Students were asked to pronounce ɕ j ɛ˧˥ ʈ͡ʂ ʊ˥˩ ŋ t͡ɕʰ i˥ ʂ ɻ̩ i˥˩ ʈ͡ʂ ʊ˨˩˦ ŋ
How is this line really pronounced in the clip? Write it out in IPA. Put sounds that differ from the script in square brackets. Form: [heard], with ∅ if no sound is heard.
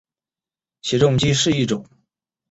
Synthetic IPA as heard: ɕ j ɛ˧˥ ʈ͡ʂ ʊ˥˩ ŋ [t͡ɕ] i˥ ʂ ɻ̩ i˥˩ ʈ͡ʂ ʊ˨˩˦ ŋ